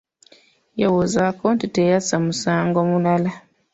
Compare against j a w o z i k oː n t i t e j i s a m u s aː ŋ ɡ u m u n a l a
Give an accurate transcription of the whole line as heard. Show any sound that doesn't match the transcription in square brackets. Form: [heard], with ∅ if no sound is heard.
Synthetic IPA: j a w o z [a] k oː n t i t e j [a] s a m u s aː ŋ ɡ [o] m u n a l a